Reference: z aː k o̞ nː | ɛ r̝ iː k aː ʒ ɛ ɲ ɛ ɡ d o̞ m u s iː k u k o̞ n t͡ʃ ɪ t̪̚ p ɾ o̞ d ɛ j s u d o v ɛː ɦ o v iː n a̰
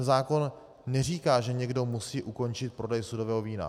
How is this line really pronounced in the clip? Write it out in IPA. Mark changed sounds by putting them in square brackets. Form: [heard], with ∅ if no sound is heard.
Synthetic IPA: z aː k o̞ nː | ɛ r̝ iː k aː ʒ ɛ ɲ ɛ ɡ d o̞ m u s iː [ʔ] u k o̞ n t͡ʃ ɪ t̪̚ p ɾ o̞ d ɛ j s u d o v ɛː ɦ o v iː n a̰